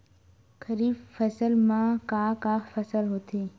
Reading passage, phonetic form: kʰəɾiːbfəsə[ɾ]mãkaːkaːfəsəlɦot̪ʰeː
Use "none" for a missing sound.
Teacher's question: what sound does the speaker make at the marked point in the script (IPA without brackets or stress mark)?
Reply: l